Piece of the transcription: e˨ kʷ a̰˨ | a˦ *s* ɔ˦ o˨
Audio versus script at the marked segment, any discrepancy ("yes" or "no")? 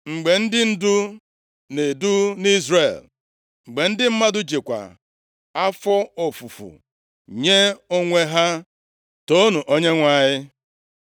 yes